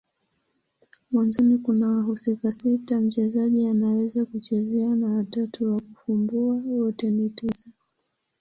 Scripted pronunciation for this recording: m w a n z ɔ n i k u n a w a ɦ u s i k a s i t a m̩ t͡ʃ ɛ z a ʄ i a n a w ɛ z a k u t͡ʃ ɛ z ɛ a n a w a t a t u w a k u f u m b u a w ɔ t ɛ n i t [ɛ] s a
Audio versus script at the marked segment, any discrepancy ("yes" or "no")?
yes